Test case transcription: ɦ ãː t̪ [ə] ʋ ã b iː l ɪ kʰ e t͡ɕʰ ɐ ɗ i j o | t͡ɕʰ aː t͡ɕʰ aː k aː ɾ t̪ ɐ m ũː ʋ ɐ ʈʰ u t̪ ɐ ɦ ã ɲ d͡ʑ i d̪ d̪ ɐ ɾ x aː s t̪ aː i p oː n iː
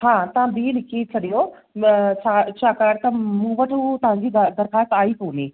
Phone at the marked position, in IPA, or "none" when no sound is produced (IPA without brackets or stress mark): ɐ